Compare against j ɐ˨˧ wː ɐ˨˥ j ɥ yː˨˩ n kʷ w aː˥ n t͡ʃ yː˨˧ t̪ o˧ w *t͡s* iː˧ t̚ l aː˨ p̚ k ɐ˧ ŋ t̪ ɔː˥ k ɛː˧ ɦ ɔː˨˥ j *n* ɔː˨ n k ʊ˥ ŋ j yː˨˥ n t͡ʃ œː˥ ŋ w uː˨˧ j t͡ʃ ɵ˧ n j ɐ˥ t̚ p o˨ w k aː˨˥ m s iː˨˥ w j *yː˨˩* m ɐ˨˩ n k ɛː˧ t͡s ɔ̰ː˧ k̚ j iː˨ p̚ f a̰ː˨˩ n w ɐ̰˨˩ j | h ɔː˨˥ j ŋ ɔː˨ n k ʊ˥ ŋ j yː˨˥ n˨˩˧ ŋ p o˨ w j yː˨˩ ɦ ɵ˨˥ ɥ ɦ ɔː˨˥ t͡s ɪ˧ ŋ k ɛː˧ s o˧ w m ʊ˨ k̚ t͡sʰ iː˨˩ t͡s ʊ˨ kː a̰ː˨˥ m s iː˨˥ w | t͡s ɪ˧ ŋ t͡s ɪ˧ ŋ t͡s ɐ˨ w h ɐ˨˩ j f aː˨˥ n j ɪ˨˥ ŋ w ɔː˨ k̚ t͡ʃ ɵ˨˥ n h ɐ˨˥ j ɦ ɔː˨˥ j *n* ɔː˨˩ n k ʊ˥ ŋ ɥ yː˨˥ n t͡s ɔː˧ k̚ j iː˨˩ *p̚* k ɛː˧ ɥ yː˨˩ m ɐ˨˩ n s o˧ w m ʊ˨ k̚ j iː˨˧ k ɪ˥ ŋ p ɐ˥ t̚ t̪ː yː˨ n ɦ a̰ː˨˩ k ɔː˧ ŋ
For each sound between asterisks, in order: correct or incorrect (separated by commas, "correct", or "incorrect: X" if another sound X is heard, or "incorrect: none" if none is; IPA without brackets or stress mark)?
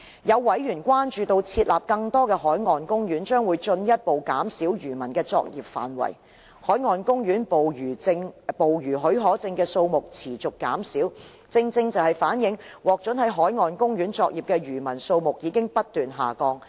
incorrect: t͡sʰ, incorrect: ŋ, correct, incorrect: ŋ, correct